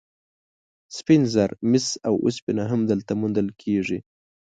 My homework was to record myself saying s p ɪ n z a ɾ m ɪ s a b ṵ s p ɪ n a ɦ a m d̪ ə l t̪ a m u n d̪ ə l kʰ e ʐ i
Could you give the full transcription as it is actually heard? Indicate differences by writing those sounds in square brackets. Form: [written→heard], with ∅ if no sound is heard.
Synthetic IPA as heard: s p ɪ n z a ɾ m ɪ s a [b→w] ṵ s p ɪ n a ɦ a m d̪ ə l t̪ a m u n d̪ ə l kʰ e ʐ i